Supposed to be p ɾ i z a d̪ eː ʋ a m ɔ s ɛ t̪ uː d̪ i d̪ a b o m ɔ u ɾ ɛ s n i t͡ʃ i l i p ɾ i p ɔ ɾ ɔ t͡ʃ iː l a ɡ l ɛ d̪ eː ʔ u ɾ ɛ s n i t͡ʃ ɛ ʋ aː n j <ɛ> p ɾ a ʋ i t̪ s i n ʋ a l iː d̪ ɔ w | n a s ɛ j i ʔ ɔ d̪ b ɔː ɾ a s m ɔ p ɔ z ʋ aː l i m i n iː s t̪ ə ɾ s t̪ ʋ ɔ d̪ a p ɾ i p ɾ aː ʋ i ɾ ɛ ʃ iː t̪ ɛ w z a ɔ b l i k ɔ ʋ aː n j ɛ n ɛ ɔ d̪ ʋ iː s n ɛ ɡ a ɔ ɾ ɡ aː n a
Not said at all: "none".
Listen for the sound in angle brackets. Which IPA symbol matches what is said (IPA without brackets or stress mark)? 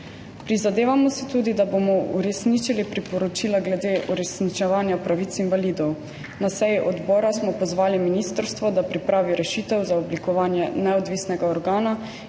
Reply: a